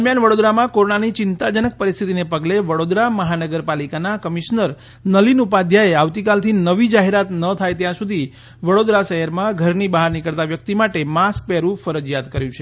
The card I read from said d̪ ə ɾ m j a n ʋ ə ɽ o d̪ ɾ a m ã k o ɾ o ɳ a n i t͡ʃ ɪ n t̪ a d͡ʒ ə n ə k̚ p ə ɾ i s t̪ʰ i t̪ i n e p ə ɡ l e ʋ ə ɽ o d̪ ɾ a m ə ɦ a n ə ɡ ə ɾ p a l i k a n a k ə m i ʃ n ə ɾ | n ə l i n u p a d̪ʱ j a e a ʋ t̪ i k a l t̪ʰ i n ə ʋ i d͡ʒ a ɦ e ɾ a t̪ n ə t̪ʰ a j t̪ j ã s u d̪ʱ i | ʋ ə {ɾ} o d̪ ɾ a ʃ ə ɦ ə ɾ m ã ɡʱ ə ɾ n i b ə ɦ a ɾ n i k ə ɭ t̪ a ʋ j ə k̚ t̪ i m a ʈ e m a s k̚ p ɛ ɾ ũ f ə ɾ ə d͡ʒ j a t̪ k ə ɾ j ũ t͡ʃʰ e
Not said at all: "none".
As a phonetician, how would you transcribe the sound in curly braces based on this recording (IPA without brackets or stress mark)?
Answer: ɽ